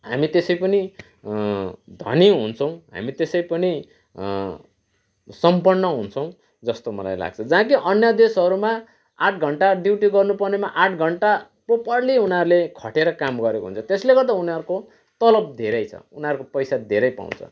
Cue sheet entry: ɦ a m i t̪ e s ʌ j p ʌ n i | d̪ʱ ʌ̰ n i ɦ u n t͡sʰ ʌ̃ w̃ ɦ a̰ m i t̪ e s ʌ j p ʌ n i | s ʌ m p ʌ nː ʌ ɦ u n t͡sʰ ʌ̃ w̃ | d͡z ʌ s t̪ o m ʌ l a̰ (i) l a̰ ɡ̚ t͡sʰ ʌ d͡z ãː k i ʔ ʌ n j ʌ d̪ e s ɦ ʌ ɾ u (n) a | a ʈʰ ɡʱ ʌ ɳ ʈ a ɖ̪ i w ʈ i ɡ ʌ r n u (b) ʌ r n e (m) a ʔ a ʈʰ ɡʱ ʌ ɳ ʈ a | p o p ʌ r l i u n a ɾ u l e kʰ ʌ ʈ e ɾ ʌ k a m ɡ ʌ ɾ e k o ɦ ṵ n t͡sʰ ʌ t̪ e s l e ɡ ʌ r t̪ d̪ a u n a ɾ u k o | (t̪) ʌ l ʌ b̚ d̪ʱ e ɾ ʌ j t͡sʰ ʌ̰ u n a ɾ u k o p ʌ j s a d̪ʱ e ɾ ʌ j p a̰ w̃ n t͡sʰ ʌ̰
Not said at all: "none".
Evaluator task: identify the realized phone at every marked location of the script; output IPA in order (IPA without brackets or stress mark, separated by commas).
j, m, p, m, t̪